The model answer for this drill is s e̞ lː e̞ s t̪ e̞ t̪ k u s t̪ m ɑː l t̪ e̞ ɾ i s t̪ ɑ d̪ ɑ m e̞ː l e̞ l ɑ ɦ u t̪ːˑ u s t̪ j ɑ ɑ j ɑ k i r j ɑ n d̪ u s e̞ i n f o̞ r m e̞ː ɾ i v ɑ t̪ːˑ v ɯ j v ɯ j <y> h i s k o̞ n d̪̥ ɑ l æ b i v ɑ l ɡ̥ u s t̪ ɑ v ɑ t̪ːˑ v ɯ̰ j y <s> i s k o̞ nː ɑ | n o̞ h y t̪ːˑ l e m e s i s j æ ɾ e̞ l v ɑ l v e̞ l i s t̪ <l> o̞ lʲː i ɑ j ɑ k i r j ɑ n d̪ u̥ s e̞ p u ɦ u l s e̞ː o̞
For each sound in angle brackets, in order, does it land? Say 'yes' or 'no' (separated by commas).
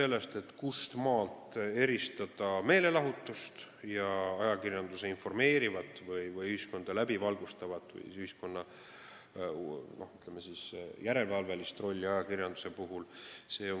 yes, no, no